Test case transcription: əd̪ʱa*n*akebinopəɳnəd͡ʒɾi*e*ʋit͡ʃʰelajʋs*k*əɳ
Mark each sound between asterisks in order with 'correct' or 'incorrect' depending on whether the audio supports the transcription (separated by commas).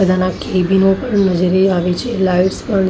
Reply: correct, incorrect, incorrect